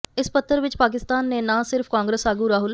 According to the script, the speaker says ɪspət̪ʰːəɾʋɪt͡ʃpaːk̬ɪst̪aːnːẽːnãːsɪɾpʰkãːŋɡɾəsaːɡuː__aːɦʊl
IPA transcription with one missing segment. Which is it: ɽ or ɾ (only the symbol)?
ɾ